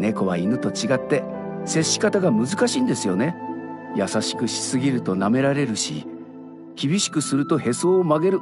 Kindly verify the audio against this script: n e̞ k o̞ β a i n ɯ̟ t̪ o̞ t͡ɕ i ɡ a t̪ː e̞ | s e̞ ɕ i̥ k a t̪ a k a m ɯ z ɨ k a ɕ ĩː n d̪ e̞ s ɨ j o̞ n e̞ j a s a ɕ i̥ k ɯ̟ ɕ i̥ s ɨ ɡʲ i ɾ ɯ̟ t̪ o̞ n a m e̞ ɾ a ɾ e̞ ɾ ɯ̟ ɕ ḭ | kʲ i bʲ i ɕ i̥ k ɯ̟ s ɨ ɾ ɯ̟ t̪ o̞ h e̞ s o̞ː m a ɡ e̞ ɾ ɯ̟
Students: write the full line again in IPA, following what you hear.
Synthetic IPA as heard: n e̞ k o̞ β a i n ɯ̟ t̪ o̞ t͡ɕ i ɡ a t̪ː e̞ | s e̞ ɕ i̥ k a t̪ a ɡ a m ɯ z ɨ k a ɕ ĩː n d̪ e̞ s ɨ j o̞ n e̞ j a s a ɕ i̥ k ɯ̟ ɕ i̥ s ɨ ɡʲ i ɾ ɯ̟ t̪ o̞ n a m e̞ ɾ a ɾ e̞ ɾ ɯ̟ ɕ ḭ | kʲ i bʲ i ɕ i̥ k ɯ̟ s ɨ ɾ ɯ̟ t̪ o̞ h e̞ s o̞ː m a ɡ e̞ ɾ ɯ̟

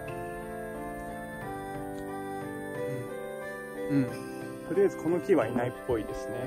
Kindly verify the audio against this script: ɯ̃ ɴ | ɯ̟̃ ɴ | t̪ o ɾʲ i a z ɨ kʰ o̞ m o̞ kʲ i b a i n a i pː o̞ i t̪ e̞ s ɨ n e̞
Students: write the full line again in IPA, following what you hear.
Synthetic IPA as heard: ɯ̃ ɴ | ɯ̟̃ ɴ | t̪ o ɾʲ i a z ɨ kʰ o̞ n o̞ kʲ i β a i n a i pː o̞ i d̪ e̞ s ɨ n e̞

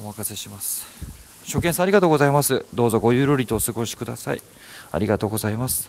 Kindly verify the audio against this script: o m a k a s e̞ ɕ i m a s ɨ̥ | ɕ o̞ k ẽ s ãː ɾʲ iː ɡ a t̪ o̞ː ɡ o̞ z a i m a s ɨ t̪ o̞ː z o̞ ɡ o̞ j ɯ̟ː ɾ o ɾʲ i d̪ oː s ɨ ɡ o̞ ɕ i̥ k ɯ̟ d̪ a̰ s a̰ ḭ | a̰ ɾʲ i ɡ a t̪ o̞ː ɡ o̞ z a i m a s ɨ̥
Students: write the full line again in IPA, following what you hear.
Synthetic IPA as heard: o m a k a s e̞ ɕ i m a s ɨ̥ | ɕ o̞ k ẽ s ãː ɾʲ i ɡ a t̪ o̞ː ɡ o̞ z a i m a s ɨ d̪ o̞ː z o̞ ɡ o̞ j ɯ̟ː ɾ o ɾʲ i t̪ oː s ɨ ɡ o̞ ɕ i̥ k ɯ̟ d̪ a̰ s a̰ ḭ | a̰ ɾʲ i ɡ a t̪ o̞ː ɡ o̞ z a i m a s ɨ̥

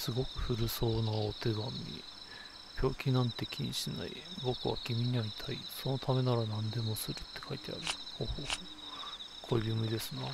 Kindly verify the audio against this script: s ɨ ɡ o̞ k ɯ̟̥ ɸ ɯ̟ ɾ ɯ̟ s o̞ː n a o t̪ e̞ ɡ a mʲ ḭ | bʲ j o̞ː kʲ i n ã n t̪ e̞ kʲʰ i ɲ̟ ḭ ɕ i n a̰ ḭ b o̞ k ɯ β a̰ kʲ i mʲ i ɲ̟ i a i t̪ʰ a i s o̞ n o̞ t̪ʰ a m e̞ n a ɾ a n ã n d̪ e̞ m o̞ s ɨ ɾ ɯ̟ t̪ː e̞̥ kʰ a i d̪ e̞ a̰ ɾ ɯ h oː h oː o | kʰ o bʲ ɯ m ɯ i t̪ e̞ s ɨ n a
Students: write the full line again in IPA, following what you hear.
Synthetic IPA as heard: s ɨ ɡ o̞ k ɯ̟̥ ɸ ɯ̟ ɾ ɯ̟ s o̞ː n a o t̪ e̞ ɡ a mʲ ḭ | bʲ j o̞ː kʲ i n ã n t̪ e̞ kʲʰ i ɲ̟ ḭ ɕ i n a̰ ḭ b o̞ k ɯ β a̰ kʲ i mʲ i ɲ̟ i a i t̪ʰ a i s o̞ n o̞ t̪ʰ a m e̞ n a ɾ a n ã n d̪ e̞ m o̞ s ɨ ɾ ɯ̟ t̪ː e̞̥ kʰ a i t̪ e̞ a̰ ɾ ɯ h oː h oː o | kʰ o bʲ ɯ m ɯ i d̪ e̞ s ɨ n a

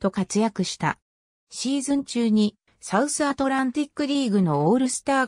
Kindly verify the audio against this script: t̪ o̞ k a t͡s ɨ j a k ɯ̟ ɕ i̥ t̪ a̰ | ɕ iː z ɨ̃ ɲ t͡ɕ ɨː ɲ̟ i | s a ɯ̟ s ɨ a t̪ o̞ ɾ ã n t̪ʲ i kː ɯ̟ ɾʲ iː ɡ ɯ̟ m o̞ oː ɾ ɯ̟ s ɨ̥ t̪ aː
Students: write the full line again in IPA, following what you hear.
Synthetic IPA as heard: t̪ o̞ k a t͡s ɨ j a k ɯ̟ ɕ i̥ t̪ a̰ | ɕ iː z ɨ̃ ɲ t͡ɕ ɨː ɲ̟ i | s a ɯ̟ s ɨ a t̪ o̞ ɾ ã n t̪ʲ i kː ɯ̟ ɾʲ iː ɡ ɯ̟ n o̞ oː ɾ ɯ̟ s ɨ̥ t̪ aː

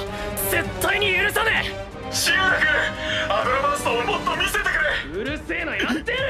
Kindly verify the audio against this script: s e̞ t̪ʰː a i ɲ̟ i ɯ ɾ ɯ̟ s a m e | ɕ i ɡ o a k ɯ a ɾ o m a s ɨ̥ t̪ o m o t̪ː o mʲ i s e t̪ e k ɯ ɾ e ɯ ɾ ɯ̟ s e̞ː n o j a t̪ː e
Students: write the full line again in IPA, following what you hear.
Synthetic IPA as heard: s e̞ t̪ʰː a i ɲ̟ i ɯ ɾ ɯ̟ s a n e | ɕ i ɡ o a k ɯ a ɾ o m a s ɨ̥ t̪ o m o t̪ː o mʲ i s e t̪ e k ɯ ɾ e ɯ ɾ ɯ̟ s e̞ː n o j a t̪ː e

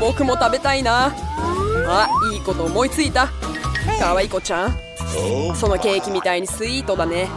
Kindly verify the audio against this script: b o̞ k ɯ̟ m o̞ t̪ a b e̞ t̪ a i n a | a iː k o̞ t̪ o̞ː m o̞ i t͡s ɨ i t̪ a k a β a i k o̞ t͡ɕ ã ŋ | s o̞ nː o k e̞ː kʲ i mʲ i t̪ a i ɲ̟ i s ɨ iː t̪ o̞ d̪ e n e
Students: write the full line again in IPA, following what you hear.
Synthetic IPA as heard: b o̞ k ɯ̟ m o̞ t̪ a b e̞ t̪ a i n a | a iː k o̞ t̪ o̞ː m o̞ i t͡s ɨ i t̪ a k a β a i k o̞ t͡ɕ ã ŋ | s o̞ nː o k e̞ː kʲ i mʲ i t̪ a i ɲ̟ i s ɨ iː t̪ o̞ d̪ a n e

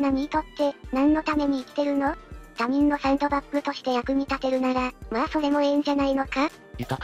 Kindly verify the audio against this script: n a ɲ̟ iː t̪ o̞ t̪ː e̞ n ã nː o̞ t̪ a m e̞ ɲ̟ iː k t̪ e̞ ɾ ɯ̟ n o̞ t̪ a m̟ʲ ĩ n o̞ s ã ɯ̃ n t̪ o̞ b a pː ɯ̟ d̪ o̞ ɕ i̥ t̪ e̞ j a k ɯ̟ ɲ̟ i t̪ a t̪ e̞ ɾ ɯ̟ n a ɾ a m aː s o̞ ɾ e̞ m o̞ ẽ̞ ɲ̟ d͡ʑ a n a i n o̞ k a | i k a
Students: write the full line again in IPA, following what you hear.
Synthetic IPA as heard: n a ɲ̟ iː t̪ o̞ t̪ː e̞ n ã nː o̞ t̪ a m e̞ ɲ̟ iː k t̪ e̞ ɾ ɯ̟ n o̞ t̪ a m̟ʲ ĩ nː o̞ s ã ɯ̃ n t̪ o̞ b a pː ɯ̟ t̪ o̞ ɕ i̥ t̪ e̞ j a k ɯ̟ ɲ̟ i t̪ a t̪ e̞ ɾ ɯ̟ n a ɾ a m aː s o̞ ɾ e̞ m o̞ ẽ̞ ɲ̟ d͡ʑ a n a i n o̞ k a | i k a

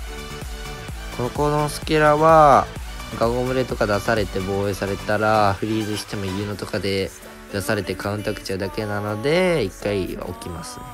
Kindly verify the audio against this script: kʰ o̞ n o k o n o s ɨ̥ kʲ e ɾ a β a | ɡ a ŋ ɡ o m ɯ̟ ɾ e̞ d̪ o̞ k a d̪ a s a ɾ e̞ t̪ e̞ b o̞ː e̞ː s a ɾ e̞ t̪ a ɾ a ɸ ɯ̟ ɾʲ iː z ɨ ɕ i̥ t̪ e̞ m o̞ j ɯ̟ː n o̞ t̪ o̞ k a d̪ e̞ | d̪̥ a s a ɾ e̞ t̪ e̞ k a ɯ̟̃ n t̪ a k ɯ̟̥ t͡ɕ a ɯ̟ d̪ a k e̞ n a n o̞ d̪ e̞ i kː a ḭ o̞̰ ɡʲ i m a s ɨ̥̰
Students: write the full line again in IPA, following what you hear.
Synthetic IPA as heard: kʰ o̞ n o k o n o s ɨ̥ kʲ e ɾ a β a | ɡ a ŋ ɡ o m ɯ̟ ɾ e̞ t̪ o̞ k a d̪ a s a ɾ e̞ t̪ e̞ b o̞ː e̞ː s a ɾ e̞ t̪ a ɾ a ɸ ɯ̟ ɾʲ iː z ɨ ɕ i̥ t̪ e̞ m o̞ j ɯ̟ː n o̞ t̪ o̞ k a d̪ e̞ | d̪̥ a s a ɾ e̞ t̪ e̞ k a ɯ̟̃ n t̪ a k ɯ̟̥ t͡ɕ a ɯ̟ d̪ a k e̞ n a n o̞ d̪ e̞ i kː a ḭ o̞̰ kʲ i m a s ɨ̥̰

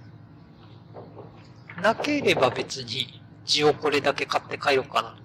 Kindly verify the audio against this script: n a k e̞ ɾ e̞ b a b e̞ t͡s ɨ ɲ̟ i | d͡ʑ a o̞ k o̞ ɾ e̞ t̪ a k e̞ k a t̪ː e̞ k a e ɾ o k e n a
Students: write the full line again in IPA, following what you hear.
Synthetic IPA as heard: n a k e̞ ɾ e̞ b a b e̞ t͡s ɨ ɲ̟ i | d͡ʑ i o̞ k o̞ ɾ e̞ d̪ a k e̞ k a t̪ː e̞ k a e ɾ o k a n a

